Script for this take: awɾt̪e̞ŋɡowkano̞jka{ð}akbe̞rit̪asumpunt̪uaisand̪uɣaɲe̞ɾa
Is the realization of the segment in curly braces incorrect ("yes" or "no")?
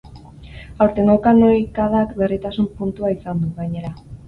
no